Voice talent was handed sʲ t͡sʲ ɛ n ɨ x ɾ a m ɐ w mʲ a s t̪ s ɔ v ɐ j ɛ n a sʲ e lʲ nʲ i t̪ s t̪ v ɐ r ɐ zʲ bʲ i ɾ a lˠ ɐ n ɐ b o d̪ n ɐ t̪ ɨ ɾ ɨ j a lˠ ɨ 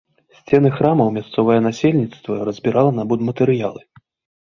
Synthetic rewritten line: sʲ t͡sʲ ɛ n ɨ x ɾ a m ɐ w mʲ a s t̪ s ɔ v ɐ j ɛ n a sʲ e lʲ nʲ i t̪ s t̪ v ɐ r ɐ zʲ bʲ i ɾ a lˠ ɐ n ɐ b u d̪ m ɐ t̪ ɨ ɾ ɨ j a lˠ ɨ